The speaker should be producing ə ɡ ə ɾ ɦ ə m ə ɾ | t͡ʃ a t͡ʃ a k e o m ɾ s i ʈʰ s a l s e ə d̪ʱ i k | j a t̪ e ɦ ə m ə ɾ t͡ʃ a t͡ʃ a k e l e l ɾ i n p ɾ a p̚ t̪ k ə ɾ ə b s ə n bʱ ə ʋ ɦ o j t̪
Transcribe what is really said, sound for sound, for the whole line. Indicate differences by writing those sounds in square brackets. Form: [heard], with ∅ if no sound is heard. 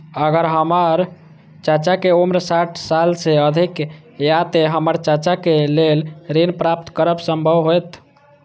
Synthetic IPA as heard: ə ɡ ə ɾ ɦ ə m ə ɾ | t͡ʃ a t͡ʃ a k e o m ɾ s [a] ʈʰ s a l s e ə d̪ʱ i k | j a t̪ e ɦ ə m ə ɾ t͡ʃ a t͡ʃ a k e l e l ɾ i n p ɾ a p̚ t̪ k ə ɾ ə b s ə [m] bʱ ə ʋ ɦ o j t̪